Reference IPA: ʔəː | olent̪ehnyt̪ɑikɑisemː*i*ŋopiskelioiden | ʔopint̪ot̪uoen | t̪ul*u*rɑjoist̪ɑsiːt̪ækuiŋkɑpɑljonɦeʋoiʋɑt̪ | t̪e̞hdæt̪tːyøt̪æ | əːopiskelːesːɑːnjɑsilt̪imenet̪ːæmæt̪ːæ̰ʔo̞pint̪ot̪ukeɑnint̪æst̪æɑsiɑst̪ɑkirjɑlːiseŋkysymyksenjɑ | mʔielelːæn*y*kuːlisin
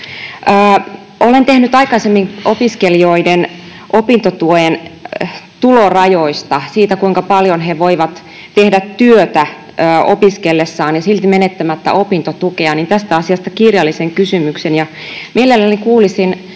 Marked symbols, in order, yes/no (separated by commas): yes, no, no